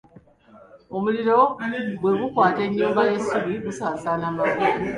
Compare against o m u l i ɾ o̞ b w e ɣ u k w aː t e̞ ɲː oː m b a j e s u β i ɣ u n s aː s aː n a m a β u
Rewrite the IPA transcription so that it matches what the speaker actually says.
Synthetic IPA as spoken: o m u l i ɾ o̞ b w e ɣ u k w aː t e̞ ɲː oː m b a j e s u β i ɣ u s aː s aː n a m a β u